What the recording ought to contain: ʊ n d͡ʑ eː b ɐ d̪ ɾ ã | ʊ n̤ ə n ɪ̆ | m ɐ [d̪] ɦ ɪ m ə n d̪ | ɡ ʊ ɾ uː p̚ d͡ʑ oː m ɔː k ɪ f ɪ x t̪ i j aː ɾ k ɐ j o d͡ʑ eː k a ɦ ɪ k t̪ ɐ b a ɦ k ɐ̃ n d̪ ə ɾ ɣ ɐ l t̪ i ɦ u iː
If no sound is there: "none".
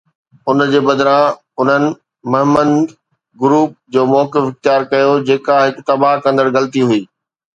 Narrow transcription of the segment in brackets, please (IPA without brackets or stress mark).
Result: none